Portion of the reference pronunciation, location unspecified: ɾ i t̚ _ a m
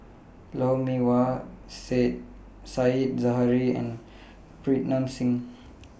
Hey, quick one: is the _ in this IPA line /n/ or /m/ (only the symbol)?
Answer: n